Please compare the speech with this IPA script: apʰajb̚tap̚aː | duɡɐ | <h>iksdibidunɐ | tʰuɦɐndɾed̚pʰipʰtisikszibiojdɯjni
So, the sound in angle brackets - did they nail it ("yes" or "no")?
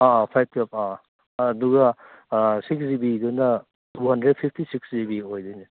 no